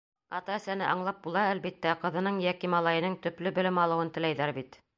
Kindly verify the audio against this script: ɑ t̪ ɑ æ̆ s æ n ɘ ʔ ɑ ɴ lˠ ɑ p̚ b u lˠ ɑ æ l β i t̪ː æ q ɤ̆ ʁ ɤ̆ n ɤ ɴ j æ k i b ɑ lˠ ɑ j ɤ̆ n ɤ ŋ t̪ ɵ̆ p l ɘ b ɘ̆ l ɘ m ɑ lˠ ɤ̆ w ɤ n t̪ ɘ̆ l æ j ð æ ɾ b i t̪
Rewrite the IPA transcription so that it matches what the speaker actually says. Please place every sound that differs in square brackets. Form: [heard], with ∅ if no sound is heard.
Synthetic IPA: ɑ t̪ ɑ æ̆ s æ n ɘ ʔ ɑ ɴ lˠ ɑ p̚ b u lˠ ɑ æ l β i t̪ː æ q ɤ̆ [ð] ɤ̆ n ɤ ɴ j æ k i [m] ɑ lˠ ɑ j ɤ̆ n ɤ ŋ t̪ ɵ̆ p l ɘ b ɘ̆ l ɘ m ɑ lˠ ɤ̆ w ɤ n t̪ ɘ̆ l æ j ð æ ɾ b i t̪